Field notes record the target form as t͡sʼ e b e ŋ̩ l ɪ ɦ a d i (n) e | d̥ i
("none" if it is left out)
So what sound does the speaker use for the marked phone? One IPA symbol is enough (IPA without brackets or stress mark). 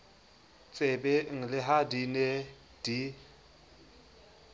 n